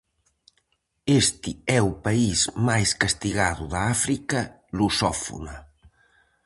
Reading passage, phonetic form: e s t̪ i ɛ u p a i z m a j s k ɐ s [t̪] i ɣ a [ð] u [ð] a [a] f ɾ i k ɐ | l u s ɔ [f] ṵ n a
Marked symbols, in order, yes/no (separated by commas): yes, yes, yes, yes, yes